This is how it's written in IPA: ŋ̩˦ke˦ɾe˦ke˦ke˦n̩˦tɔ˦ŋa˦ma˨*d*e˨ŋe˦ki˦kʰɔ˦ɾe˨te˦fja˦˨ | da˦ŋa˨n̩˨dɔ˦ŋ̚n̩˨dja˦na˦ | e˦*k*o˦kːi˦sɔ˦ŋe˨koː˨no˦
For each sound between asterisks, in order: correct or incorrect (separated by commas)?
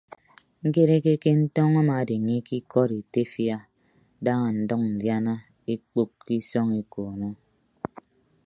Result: correct, incorrect